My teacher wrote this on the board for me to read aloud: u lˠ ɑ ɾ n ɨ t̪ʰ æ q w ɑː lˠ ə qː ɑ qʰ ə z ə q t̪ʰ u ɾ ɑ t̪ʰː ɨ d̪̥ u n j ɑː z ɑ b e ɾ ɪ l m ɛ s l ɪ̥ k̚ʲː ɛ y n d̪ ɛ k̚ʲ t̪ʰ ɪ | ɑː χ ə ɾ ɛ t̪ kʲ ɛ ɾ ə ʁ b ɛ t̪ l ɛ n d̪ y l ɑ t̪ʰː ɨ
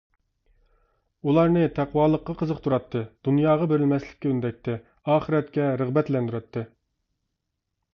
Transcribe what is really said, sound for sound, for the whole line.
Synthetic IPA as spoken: u lˠ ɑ ɾ n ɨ t̪ʰ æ q w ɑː lˠ ə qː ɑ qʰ ə z ə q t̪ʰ u ɾ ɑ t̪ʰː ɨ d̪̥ u n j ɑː ʁ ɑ b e ɾ ɪ l m ɛ s l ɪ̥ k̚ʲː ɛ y n d̪ ɛ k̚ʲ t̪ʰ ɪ | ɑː χ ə ɾ ɛ t̪ kʲ ɛ ɾ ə ʁ b ɛ t̪ l ɛ n d̪ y ɾ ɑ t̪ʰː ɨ

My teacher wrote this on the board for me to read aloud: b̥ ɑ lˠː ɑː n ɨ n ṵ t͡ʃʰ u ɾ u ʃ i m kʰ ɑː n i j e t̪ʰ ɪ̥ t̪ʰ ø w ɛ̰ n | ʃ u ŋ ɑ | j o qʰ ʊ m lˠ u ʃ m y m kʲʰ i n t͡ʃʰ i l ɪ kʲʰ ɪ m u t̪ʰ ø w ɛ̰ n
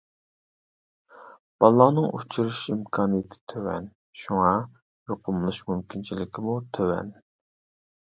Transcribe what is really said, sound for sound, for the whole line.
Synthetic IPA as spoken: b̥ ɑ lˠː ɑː n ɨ ŋ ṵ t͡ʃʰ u ɾ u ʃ i m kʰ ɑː n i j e t̪ʰ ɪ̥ t̪ʰ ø w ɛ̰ n | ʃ u ŋ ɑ | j o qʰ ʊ m lˠ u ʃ m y m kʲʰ i n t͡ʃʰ i l ɪ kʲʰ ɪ m u t̪ʰ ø w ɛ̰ n

